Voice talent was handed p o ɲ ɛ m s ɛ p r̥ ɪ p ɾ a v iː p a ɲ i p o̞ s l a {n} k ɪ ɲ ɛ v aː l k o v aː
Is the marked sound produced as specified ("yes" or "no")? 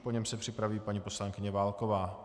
no